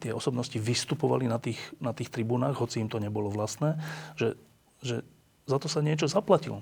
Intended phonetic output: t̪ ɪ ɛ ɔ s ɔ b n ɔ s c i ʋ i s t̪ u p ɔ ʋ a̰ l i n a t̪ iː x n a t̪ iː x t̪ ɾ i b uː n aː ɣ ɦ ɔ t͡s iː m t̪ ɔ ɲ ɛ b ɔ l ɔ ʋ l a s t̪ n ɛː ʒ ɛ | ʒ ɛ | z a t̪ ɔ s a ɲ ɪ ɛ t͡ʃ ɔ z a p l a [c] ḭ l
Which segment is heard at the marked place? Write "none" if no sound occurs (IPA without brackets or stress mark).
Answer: c